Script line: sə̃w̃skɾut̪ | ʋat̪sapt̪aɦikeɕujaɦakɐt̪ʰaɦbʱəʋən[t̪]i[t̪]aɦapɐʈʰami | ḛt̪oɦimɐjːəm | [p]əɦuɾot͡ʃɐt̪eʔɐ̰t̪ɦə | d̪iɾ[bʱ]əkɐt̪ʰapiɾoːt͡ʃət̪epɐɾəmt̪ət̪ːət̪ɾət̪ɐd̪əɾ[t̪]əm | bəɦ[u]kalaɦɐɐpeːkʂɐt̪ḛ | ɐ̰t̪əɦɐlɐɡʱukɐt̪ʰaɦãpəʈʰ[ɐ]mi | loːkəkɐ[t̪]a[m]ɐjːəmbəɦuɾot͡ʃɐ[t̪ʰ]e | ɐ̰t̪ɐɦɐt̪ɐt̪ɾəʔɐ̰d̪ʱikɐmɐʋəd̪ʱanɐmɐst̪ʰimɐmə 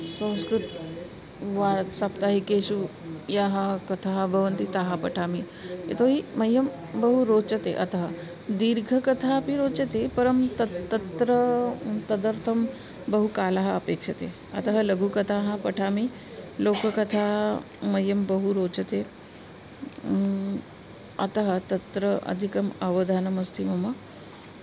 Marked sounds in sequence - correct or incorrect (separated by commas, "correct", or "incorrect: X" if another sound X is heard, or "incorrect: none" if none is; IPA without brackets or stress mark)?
correct, correct, incorrect: b, incorrect: ɡʱ, incorrect: t̪ʰ, correct, incorrect: a, incorrect: t̪ʰ, correct, incorrect: t̪